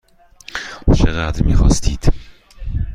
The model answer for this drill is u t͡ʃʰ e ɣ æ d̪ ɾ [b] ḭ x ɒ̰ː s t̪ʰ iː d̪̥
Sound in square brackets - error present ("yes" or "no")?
yes